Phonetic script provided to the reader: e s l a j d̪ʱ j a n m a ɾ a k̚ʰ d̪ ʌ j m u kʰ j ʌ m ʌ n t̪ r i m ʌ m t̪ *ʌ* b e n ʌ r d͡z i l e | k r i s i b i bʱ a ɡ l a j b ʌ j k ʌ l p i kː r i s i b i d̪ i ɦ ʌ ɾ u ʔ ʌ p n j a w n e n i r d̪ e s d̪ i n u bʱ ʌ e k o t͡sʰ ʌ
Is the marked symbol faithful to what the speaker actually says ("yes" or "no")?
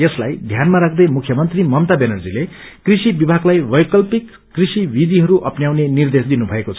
no